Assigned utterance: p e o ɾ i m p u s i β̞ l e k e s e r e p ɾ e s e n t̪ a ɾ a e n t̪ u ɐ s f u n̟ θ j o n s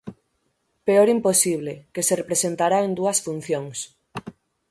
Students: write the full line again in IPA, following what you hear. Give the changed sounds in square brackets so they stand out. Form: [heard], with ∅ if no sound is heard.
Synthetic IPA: p e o ɾ i m p [o] s i β̞ l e k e s e r e p ɾ e s e n t̪ a ɾ a e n [d̪] u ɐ s f u n̟ θ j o [ŋ] s